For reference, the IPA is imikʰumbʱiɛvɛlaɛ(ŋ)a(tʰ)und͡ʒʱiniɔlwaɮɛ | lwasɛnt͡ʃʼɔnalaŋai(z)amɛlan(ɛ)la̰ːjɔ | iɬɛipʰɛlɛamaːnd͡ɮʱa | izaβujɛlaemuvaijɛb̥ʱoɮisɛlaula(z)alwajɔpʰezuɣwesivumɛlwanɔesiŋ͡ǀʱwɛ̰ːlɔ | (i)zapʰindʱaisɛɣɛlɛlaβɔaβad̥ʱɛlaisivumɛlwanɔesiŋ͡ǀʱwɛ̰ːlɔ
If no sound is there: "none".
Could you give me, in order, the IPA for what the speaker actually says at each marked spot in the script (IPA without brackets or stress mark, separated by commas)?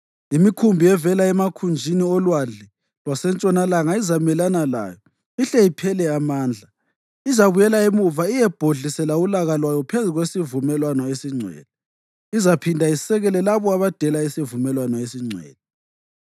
m, kʰ, z, a, ɣ, i